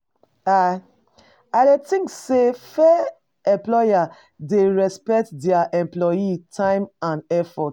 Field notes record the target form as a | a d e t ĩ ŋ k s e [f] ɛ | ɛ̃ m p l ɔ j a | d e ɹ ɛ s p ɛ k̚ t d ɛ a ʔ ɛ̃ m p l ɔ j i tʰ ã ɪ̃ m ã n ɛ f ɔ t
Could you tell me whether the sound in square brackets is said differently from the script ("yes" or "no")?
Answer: no